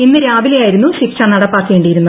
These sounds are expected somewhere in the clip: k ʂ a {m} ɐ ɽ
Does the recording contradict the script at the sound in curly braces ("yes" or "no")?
yes